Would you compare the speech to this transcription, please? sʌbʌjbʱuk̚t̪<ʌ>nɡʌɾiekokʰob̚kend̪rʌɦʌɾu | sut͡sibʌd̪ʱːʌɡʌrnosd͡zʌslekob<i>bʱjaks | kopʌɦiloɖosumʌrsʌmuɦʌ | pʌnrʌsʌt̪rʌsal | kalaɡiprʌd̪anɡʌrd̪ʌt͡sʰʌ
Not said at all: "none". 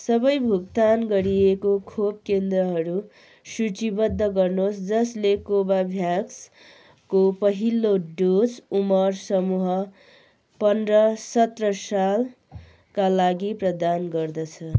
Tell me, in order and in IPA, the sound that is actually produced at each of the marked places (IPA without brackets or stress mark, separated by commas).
a, a